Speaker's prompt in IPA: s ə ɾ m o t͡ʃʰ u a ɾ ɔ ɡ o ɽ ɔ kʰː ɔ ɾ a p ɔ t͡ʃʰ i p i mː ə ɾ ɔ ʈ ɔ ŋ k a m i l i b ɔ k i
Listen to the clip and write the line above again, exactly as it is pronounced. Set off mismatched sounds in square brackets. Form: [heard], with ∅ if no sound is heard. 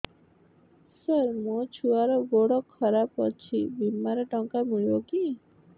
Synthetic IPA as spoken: s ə ɾ m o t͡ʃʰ u a ɾ ɔ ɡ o ɽ ɔ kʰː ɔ ɾ a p ɔ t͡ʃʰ i [b] i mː [a] ɾ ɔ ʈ ɔ ŋ k a m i [ɭ] i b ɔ k i